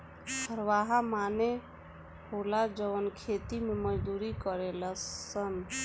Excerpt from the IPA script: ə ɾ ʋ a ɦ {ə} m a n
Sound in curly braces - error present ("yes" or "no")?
yes